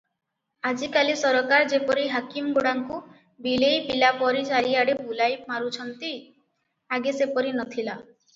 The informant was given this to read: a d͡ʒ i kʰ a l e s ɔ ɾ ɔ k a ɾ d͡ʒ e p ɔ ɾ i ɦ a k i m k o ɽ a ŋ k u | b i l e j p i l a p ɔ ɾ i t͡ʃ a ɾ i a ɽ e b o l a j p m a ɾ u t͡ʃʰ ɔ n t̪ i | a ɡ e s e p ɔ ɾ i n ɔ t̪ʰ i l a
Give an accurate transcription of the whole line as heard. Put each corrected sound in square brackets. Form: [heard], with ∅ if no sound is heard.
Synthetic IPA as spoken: a d͡ʒ i [k] a l [i] s ɔ ɾ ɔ k a ɾ d͡ʒ e p ɔ ɾ i ɦ a k i m [ɡ] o ɽ a ŋ k u | b i l e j p i l a p ɔ ɾ i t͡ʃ a ɾ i a ɽ e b [u] l a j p m a ɾ u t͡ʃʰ ɔ n t̪ i | a ɡ e s e p ɔ ɾ i n ɔ t̪ʰ i l a